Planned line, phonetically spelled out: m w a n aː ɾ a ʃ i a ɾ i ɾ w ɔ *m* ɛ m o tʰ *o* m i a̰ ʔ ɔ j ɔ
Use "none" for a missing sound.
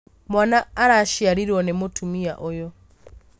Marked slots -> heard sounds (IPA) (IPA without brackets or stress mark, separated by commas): n, u